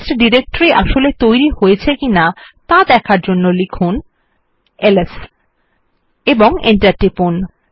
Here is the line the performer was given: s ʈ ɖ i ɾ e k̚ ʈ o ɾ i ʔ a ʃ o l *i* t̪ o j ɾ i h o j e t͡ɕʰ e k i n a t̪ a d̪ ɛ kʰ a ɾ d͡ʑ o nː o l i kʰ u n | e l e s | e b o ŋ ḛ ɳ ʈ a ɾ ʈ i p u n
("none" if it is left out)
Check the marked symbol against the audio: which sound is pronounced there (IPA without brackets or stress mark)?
e